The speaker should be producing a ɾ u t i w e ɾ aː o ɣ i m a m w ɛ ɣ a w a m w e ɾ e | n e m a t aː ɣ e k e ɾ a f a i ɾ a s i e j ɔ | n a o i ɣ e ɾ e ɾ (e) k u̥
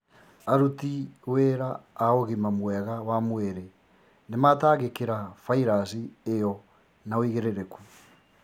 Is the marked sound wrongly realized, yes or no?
no